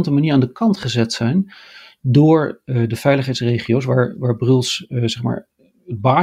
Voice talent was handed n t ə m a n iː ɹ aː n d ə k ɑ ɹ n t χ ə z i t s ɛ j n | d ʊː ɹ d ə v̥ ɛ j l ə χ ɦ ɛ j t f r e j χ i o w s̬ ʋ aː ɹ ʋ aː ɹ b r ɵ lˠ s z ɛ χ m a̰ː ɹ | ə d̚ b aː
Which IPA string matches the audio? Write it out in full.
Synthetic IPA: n t ə m a n iː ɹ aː n d ə k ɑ n t χ ə z ɛ t s ɛ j n | d ʊː ɹ d ə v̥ ɛ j l ə χ ɦ ɛ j t s r e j χ i o w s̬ ʋ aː ɹ ʋ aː ɹ b r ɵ lˠ s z ɛ χ m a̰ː ɹ | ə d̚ b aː